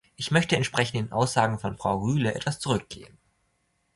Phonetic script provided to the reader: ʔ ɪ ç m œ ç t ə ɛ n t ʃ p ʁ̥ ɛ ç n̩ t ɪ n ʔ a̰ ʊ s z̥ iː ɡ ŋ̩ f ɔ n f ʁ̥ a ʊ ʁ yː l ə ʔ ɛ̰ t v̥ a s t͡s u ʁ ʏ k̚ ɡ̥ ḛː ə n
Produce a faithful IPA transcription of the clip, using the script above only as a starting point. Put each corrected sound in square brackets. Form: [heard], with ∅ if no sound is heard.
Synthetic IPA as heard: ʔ ɪ ç m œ ç t ə ɛ n t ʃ p ʁ̥ ɛ ç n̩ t ɪ n ʔ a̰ ʊ s z̥ [aː] ɡ ŋ̩ f ɔ n f ʁ̥ a ʊ ʁ yː l ə ʔ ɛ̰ t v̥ a s t͡s u ʁ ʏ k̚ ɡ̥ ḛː ə n